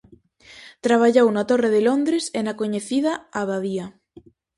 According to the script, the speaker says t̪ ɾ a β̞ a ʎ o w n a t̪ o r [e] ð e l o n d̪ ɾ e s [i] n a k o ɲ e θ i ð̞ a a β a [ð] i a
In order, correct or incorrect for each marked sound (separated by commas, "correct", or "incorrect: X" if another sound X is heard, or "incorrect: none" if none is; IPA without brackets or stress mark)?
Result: correct, incorrect: e, correct